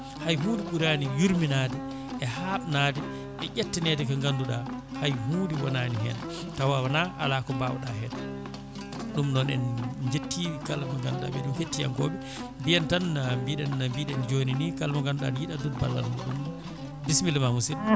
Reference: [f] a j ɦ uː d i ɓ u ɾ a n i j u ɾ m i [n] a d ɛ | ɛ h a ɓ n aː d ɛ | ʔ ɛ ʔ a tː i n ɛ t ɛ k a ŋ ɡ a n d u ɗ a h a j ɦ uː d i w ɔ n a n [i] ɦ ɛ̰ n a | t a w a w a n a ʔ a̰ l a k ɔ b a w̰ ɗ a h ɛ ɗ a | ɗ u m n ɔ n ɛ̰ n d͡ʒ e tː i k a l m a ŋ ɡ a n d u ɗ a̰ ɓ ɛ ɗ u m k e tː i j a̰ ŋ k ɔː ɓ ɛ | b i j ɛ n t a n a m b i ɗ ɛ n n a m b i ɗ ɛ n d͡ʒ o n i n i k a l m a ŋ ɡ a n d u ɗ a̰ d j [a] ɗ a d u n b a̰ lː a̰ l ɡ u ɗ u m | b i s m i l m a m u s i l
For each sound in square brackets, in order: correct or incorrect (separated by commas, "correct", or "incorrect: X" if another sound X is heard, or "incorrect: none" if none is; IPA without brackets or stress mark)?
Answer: incorrect: h, correct, correct, incorrect: i